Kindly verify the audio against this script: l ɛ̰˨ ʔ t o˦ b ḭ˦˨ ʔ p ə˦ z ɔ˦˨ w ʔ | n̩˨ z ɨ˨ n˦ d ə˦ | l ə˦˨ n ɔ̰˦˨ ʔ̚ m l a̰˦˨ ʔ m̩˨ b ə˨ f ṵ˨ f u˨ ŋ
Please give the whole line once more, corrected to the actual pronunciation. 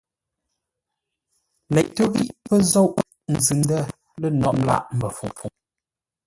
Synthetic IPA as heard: l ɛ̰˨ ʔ t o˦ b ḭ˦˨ ʔ p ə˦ z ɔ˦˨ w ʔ | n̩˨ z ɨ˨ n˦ d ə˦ | l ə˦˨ n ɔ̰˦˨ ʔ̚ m l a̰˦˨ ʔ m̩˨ b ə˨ f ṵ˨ f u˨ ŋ